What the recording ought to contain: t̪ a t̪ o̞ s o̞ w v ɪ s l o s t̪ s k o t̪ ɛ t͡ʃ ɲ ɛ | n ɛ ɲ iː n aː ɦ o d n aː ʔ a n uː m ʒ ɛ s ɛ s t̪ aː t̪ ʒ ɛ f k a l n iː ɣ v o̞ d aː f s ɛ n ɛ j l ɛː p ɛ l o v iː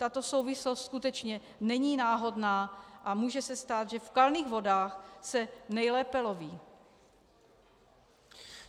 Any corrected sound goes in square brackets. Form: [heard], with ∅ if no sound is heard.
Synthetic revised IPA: t̪ a t̪ o̞ s o̞ w v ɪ s l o s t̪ s k [u] t̪ ɛ t͡ʃ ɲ ɛ | n ɛ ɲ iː n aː ɦ o d n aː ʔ a [m] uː [∅] ʒ ɛ s ɛ s t̪ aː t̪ ʒ ɛ f k a l n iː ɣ v o̞ d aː [x] s ɛ n ɛ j l ɛː p ɛ l o v iː